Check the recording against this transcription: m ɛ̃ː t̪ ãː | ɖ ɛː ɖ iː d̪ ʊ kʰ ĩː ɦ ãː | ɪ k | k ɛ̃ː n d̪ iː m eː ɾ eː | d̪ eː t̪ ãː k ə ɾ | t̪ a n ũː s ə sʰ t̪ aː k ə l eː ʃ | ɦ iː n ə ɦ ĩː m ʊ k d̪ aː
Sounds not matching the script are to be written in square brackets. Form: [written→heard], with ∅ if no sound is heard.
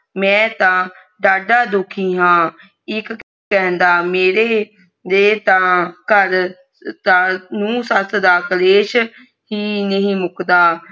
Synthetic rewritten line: m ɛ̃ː t̪ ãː | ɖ [ɛː→aː] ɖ [iː→aː] d̪ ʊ kʰ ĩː ɦ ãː | ɪ k | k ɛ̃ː n d̪ [iː→aː] m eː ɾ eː | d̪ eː t̪ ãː k ə ɾ | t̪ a n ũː s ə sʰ [t̪→d̪] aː k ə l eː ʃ | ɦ iː n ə ɦ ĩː m ʊ k d̪ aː